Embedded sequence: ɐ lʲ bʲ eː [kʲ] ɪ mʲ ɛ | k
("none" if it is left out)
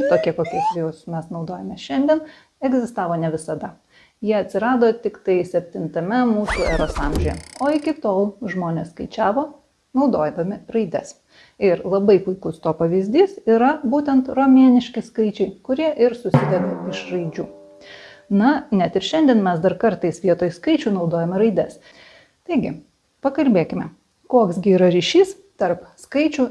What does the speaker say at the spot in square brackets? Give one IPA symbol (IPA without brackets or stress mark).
kʲ